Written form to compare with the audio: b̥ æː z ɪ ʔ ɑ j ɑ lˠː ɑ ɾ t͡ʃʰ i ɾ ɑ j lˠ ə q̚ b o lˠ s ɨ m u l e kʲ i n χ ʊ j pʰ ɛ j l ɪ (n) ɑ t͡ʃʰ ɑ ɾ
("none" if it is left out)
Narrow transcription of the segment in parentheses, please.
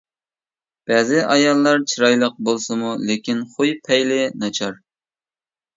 n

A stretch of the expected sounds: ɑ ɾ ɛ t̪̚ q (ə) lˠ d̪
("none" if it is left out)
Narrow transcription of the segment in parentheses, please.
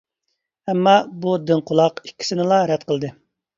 ə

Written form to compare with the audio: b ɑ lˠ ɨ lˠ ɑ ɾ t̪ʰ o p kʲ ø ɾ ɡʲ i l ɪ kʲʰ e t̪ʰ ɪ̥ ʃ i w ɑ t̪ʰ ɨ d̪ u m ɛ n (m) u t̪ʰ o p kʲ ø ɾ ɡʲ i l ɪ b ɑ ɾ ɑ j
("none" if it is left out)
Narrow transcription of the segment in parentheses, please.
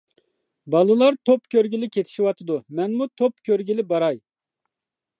m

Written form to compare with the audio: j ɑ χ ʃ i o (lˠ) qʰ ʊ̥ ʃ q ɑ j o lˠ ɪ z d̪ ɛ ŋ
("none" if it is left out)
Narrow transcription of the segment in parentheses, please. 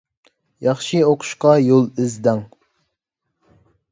none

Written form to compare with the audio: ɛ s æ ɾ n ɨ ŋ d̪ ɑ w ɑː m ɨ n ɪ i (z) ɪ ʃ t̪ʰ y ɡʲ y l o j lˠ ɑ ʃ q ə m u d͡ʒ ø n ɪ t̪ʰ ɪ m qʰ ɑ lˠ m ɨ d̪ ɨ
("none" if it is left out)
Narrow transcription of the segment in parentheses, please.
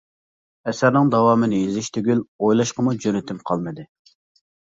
z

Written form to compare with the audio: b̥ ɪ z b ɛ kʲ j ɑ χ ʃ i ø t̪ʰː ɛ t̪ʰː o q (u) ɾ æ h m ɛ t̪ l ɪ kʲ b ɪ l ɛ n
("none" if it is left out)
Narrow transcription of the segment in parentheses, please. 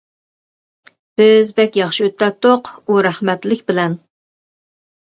u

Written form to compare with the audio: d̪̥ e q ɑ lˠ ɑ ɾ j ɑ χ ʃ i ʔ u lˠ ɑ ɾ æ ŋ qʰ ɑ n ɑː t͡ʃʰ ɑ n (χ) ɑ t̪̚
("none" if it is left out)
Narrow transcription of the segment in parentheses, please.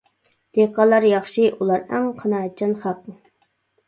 χ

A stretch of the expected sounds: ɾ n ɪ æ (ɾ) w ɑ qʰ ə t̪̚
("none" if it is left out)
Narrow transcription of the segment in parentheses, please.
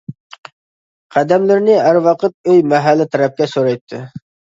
ɾ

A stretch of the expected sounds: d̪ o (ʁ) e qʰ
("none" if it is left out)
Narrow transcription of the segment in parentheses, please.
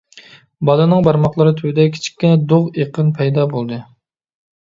ʁ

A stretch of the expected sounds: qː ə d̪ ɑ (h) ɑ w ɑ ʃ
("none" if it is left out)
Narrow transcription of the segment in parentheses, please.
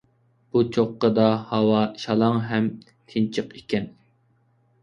h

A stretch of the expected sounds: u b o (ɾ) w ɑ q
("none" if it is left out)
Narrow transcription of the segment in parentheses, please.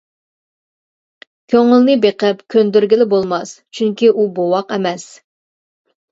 none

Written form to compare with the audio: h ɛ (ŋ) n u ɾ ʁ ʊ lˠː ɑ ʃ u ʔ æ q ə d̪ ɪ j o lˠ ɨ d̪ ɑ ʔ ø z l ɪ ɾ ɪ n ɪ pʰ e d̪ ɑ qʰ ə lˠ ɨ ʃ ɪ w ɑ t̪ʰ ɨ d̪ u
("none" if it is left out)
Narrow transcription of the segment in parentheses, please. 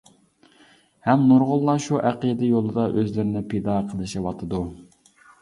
m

